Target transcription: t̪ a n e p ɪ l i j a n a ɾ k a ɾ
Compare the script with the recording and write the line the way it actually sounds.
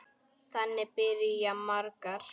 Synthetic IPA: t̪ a n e p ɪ ɾ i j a m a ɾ k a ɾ